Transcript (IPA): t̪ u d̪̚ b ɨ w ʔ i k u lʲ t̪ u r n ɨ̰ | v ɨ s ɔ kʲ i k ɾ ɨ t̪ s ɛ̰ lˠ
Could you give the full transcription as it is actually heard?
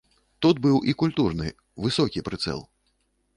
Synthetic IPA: t̪ u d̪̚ b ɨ w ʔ i k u lʲ t̪ u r n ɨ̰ | v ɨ s ɔ kʲ i p ɾ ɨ t̪ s ɛ̰ lˠ